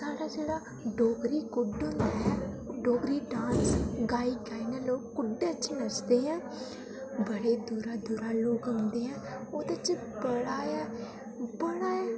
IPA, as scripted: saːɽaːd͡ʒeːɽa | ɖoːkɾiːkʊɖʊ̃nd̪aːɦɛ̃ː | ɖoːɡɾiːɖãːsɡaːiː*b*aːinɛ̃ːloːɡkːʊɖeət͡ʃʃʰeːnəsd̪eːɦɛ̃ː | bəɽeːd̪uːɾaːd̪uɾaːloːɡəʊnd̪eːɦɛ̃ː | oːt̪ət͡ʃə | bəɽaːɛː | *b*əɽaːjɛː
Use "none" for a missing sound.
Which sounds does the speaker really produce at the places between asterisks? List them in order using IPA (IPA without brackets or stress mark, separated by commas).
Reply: ɡ, b